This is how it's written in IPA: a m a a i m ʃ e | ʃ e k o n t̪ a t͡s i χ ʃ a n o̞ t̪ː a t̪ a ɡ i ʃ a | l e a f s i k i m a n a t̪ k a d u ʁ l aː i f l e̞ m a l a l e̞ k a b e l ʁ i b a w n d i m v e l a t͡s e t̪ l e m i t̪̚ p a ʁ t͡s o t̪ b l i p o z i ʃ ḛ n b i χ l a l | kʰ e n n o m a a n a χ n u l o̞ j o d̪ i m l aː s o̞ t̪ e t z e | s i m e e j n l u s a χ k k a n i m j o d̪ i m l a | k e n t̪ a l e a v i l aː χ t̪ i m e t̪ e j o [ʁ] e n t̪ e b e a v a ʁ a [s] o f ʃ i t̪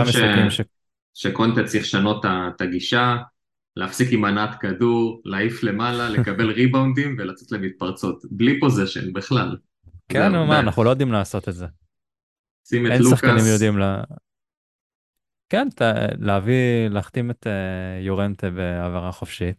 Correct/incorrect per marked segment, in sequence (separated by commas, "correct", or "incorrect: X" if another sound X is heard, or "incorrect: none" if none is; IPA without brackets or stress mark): correct, incorrect: χ